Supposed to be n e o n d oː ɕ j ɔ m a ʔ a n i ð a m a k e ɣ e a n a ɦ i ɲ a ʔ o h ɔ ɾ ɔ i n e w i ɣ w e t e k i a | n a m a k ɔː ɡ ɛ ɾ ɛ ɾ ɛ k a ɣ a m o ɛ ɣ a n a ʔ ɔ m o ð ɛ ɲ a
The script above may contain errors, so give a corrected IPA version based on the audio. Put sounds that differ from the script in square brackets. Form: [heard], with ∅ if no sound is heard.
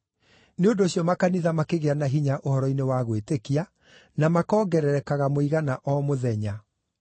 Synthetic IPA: n e o n d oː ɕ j ɔ m a [k] a n i ð a m a k e ɣ e a n a ɦ i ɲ a ʔ o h ɔ ɾ ɔ i n e w [a] ɣ w e t e k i a | n a m a k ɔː ɡ ɛ ɾ ɛ ɾ ɛ k a ɣ a m o [i] ɣ a n a ʔ ɔ m o ð ɛ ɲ a